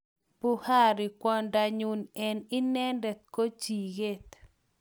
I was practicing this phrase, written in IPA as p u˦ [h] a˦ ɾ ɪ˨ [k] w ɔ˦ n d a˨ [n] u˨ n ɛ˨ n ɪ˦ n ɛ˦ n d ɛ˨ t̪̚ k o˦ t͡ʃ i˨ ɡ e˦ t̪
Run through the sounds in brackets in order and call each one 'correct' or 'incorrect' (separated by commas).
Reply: correct, correct, incorrect